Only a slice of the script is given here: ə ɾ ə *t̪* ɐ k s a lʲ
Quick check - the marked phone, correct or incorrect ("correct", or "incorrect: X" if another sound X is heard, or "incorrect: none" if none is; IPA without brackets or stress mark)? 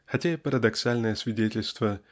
incorrect: d̪